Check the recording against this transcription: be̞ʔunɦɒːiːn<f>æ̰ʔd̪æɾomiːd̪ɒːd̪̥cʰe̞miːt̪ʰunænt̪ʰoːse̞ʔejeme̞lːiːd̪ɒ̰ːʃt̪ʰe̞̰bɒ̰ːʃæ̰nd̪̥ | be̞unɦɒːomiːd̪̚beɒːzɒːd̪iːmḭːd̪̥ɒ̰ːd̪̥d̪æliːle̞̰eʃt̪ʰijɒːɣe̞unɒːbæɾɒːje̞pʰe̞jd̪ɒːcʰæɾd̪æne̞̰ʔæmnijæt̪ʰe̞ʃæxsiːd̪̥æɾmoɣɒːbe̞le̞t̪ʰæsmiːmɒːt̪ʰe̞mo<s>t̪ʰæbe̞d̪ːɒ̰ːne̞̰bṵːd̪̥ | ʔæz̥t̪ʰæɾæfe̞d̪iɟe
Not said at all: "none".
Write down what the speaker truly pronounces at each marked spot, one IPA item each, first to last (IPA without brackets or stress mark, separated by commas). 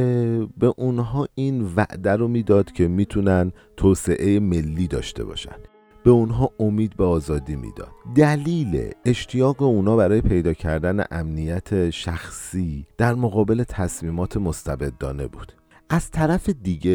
v, s